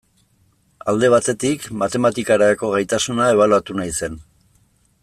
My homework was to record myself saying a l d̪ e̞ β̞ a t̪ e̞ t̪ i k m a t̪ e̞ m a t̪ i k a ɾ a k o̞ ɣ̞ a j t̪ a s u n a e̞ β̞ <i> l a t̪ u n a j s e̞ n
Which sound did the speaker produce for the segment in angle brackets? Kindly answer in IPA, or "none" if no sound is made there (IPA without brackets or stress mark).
a